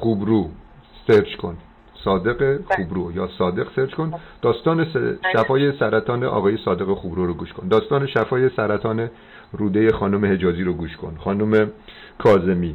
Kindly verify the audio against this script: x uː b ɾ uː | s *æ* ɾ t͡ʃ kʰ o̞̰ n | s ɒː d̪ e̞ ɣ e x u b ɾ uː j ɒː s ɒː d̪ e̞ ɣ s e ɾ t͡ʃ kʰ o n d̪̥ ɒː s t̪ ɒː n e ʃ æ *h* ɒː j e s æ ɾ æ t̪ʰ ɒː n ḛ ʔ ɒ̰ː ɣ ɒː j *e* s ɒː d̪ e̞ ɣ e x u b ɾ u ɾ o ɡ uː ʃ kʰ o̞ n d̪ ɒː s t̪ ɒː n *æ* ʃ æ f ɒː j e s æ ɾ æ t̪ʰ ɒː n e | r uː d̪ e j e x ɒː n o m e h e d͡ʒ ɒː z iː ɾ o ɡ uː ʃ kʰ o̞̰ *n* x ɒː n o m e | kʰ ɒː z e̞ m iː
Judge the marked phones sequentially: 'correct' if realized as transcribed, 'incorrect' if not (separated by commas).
incorrect, incorrect, correct, incorrect, correct